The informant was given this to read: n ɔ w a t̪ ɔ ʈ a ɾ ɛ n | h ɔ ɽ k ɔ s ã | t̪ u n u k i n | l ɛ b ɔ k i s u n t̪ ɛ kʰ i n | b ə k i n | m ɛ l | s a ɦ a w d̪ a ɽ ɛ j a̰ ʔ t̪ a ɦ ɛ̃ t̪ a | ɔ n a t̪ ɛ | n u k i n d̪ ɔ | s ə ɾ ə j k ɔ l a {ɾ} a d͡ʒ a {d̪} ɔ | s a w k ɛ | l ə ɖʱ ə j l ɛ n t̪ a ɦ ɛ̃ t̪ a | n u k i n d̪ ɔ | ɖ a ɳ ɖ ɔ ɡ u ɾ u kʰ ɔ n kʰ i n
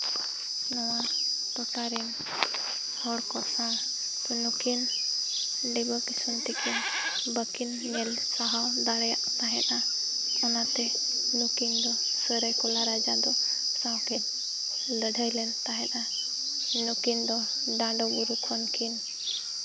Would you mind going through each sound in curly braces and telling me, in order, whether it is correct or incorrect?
correct, correct

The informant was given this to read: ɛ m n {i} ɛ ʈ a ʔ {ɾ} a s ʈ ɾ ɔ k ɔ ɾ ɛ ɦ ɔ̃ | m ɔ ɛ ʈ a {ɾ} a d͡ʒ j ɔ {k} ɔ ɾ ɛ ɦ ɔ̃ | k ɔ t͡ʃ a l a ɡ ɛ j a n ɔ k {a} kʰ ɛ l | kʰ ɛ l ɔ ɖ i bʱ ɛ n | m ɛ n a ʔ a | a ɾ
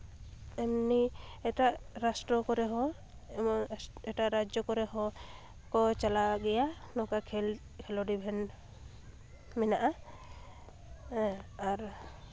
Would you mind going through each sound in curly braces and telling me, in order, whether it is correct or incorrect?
correct, correct, correct, correct, correct

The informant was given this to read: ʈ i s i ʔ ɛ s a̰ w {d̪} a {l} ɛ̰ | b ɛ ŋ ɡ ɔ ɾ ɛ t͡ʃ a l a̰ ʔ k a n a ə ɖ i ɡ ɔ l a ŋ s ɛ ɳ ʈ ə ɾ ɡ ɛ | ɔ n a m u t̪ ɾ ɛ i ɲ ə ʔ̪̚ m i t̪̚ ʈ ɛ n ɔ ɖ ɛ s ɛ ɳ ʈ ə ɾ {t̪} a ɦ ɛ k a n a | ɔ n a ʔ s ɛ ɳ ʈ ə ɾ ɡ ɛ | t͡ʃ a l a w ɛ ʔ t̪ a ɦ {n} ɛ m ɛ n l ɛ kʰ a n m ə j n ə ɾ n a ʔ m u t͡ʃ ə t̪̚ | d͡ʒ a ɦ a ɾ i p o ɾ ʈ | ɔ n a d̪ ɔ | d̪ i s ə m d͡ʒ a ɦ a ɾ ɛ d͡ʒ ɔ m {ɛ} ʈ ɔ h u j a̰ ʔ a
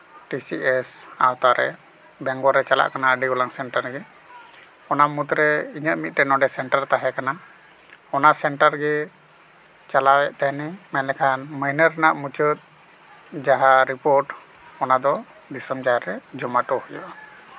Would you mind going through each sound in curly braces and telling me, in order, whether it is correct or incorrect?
incorrect: t̪, incorrect: ɾ, correct, correct, incorrect: a

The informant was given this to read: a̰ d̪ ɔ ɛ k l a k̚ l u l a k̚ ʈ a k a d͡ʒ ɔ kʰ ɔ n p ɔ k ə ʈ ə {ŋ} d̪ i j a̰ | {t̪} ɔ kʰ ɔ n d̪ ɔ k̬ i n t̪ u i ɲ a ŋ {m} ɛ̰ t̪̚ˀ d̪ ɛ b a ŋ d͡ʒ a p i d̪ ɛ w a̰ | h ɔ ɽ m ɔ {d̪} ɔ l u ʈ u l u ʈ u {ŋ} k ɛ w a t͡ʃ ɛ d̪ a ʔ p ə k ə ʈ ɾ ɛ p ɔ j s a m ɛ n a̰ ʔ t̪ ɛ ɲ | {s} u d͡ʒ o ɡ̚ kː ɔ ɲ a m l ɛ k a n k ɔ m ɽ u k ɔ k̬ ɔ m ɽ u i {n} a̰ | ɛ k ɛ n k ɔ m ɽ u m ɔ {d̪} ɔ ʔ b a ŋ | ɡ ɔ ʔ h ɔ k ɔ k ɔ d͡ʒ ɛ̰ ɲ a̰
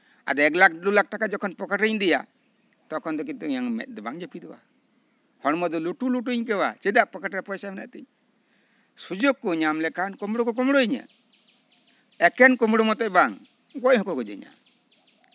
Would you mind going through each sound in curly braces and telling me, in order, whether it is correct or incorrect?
incorrect: ɲ, correct, correct, correct, incorrect: ɲ, correct, incorrect: ɲ, incorrect: t̪

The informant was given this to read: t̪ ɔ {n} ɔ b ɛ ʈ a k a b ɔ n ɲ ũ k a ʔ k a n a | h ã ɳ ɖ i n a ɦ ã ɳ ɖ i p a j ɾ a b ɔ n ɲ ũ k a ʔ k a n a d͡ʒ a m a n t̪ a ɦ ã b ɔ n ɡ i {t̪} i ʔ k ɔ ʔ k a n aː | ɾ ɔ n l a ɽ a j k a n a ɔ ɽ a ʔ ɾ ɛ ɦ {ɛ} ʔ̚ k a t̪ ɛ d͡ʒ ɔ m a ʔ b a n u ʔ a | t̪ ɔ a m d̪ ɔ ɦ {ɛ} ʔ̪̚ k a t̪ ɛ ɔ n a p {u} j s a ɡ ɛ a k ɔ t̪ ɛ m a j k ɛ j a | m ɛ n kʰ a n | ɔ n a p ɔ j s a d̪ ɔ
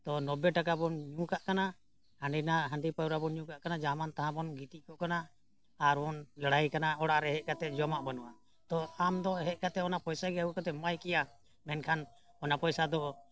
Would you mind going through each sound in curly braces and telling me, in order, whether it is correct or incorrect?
correct, correct, correct, correct, incorrect: ɔ

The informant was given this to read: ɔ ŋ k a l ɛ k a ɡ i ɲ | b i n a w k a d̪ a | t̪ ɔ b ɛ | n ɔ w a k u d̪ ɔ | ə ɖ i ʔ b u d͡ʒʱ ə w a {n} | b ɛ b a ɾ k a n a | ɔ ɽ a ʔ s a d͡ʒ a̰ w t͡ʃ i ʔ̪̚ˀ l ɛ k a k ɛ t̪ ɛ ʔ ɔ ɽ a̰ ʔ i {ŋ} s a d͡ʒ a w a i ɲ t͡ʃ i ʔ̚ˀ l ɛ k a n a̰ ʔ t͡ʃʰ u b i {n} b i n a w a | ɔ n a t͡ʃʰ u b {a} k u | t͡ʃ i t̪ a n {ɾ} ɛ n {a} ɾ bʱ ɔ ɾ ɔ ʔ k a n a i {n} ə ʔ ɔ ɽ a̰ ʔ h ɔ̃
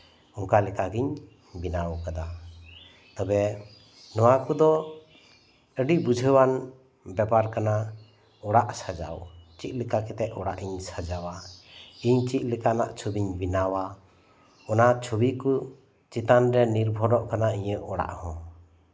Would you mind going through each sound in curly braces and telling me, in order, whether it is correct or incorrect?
correct, incorrect: ɲ, incorrect: ɲ, incorrect: i, correct, incorrect: i, incorrect: ɲ

